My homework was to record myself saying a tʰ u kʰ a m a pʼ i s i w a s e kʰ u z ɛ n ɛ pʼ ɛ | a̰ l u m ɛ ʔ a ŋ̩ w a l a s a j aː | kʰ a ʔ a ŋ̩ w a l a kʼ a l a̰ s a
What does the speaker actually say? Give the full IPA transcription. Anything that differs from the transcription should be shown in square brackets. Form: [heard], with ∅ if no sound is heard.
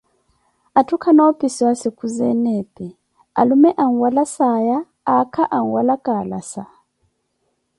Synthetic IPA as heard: a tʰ u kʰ a [n] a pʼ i s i w a s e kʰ u z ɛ n ɛ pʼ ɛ | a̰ l u m ɛ ʔ a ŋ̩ w a l a s a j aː | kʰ a ʔ a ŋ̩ w a l a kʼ a l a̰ s a